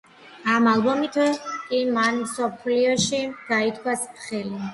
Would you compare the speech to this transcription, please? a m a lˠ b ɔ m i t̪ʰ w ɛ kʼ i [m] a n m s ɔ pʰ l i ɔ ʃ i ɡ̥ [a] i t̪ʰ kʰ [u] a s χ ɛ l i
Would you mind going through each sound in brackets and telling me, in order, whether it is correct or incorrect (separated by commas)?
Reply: correct, correct, incorrect